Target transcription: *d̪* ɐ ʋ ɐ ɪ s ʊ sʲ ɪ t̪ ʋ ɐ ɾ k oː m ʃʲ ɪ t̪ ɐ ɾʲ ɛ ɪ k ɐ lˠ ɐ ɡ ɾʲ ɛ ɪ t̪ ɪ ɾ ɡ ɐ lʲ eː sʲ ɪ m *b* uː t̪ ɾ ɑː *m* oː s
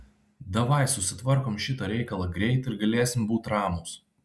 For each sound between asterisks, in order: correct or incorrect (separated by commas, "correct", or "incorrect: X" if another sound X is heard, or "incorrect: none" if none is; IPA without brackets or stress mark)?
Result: correct, correct, correct